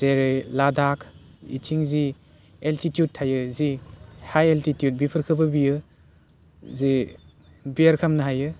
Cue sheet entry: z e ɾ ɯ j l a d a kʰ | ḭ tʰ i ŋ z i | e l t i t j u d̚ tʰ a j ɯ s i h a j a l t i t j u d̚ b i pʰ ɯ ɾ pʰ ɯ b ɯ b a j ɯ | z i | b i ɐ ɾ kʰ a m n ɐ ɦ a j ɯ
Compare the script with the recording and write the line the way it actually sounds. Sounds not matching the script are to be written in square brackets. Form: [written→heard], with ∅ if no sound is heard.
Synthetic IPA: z e ɾ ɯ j l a d a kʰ | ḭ tʰ i ŋ z i | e l t i t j u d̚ tʰ a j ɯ [s→z] i h a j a l t i t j u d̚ b i pʰ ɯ ɾ [pʰ→kʰ] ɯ b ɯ b [a→i] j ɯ | z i | b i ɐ ɾ kʰ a m n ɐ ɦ a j ɯ